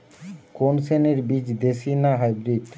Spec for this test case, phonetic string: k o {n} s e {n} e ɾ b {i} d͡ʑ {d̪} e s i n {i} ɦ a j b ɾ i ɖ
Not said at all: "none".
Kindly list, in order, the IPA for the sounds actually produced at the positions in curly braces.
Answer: n, n, i, d̪, a

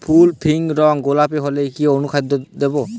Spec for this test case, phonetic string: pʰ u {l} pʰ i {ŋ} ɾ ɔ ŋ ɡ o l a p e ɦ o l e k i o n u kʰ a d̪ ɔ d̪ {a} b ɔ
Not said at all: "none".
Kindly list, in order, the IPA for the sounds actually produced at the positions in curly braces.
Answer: l, ŋ, e

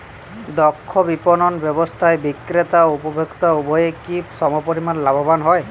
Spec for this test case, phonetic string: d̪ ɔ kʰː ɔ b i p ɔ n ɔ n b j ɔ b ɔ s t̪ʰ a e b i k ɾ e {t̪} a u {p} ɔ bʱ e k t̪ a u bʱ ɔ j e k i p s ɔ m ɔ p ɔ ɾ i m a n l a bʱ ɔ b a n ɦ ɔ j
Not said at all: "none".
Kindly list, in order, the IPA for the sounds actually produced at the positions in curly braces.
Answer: t̪, p

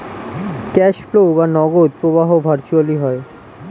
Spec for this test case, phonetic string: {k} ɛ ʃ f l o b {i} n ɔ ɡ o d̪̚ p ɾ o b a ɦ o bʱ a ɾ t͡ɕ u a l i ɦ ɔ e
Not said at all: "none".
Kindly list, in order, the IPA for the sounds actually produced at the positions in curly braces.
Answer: k, a

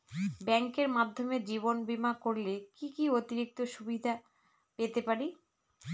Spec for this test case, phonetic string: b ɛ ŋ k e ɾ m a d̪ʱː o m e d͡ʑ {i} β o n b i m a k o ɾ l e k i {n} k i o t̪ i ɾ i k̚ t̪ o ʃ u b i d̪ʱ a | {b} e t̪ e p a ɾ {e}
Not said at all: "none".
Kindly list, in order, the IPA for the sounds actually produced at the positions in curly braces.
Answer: i, none, p, i

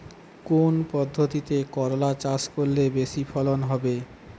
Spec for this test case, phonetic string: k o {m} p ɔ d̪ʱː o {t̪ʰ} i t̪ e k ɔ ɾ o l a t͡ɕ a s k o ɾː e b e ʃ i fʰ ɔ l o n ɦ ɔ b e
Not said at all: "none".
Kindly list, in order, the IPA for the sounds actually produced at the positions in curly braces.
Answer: n, t̪

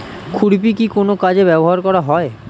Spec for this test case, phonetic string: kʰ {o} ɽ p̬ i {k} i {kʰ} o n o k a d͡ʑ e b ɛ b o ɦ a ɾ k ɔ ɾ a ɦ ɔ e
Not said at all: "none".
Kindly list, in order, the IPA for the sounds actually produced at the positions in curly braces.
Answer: u, k, k

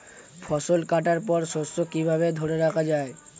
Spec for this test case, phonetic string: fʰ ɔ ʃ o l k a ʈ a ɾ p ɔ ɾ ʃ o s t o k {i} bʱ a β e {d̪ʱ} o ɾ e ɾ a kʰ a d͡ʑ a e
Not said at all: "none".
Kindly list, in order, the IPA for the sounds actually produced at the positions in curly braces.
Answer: i, d̪ʱ

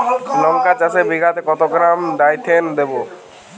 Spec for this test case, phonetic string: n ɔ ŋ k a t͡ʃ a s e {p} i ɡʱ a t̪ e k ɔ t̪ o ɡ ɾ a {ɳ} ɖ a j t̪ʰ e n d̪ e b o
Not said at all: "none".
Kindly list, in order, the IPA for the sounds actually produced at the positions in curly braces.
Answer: b, m

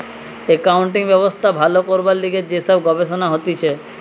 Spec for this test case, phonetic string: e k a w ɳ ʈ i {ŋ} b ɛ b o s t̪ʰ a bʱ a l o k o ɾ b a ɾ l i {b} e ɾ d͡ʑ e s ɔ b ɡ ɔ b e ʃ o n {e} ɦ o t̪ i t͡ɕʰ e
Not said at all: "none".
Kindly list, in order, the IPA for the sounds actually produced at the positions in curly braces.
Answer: ŋ, ɡ, a

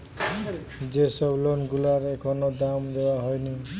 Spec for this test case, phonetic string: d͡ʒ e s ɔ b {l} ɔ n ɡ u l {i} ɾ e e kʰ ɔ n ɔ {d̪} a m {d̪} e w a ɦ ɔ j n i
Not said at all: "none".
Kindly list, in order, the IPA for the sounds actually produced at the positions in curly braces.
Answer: l, a, d̪, d̪

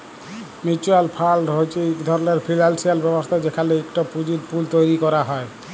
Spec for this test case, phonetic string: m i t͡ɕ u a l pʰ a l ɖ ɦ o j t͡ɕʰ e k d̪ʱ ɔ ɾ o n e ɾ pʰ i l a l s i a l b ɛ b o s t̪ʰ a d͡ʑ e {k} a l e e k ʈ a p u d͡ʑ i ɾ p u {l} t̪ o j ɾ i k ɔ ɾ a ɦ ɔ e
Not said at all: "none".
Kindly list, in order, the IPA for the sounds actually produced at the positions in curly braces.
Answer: kʰ, l

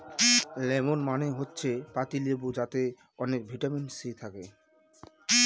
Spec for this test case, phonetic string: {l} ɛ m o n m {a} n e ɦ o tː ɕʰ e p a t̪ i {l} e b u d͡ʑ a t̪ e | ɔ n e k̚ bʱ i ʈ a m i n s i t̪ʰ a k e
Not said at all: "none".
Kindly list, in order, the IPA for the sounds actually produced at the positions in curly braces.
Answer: l, a, l

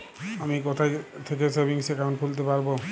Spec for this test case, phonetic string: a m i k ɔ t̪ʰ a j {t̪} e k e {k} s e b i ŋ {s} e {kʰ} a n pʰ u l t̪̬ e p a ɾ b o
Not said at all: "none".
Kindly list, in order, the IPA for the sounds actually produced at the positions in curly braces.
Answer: t̪ʰ, none, s, k

